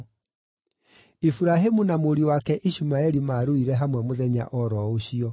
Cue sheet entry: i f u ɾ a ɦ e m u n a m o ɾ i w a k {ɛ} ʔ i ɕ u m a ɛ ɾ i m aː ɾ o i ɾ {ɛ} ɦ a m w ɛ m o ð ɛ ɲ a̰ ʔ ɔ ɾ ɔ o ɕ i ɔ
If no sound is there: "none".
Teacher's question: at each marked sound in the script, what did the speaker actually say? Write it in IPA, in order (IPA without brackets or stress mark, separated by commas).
ɛ, ɛ